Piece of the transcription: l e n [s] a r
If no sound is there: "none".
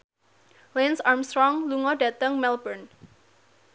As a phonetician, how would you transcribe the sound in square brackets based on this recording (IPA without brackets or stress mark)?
s